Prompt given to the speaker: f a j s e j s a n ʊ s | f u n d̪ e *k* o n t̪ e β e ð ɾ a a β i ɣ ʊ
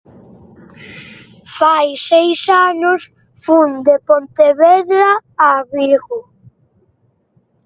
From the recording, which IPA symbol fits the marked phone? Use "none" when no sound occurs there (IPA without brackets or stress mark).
p